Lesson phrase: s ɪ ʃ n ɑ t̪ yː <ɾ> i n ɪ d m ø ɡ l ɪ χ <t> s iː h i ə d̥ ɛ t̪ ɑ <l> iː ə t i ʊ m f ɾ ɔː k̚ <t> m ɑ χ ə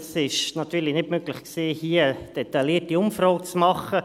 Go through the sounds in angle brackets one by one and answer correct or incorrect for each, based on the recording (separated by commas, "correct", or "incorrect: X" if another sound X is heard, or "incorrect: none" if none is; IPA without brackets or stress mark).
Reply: incorrect: l, incorrect: k, correct, incorrect: t͡s